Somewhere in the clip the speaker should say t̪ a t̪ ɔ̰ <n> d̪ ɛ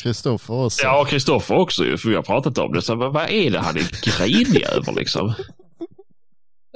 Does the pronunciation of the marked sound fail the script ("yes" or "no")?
yes